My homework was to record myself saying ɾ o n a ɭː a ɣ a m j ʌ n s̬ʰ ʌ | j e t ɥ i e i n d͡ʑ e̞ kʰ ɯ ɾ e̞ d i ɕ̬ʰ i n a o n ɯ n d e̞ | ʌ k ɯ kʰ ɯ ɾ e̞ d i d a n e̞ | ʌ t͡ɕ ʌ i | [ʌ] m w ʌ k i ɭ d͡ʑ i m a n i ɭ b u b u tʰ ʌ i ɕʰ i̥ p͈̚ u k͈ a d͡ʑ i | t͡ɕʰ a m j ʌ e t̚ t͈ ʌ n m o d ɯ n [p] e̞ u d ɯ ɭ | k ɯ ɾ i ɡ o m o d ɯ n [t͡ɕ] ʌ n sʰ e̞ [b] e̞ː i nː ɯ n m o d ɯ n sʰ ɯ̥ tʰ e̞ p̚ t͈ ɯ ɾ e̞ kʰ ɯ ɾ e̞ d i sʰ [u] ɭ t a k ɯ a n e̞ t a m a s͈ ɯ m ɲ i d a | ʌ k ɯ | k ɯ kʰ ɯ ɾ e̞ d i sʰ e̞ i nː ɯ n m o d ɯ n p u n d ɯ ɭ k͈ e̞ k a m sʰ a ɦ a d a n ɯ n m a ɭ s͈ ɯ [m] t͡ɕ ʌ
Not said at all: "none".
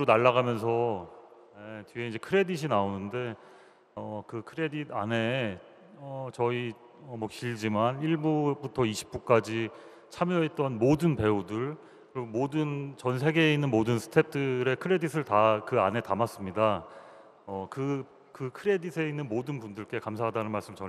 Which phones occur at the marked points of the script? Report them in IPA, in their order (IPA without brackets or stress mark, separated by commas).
ʌ, p, t͡ɕ, ɡ, ɯ, m